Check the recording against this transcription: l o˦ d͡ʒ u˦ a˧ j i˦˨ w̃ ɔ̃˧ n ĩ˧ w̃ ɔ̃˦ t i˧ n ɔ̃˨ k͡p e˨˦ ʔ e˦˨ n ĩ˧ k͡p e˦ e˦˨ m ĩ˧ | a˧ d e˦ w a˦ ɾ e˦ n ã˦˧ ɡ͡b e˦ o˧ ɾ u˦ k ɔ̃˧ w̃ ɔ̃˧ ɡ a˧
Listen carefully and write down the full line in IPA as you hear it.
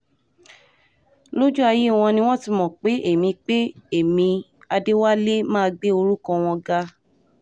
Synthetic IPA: l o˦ d͡ʒ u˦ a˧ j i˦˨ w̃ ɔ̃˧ n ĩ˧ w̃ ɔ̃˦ t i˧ m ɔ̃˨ k͡p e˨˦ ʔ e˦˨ m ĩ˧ k͡p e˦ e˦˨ m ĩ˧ | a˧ d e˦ w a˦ l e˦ m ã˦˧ ɡ͡b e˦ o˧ ɾ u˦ k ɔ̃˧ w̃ ɔ̃˧ ɡ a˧